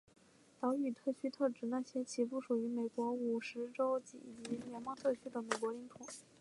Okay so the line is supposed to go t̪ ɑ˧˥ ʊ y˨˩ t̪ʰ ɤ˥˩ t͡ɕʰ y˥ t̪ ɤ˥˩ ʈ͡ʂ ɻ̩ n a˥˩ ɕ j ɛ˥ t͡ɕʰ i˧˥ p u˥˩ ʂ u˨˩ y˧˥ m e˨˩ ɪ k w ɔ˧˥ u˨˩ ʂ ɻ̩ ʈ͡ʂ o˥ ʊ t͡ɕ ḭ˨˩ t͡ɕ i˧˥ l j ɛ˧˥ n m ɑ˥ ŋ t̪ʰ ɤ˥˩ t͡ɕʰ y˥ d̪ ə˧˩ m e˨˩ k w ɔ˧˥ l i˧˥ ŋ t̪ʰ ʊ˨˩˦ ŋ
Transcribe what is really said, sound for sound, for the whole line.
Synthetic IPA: t̪ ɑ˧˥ ʊ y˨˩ t̪ʰ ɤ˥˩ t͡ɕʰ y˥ t̪ʰ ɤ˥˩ ʈ͡ʂ ɻ̩ n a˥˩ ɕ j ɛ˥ t͡ɕʰ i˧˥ p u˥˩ ʂ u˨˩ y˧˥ m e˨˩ ɪ k w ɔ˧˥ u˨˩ ʂ ɻ̩ ʈ͡ʂ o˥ ʊ t͡ɕ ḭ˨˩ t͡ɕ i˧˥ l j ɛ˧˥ n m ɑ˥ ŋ t̪ʰ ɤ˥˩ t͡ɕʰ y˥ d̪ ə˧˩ m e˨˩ k w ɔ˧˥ l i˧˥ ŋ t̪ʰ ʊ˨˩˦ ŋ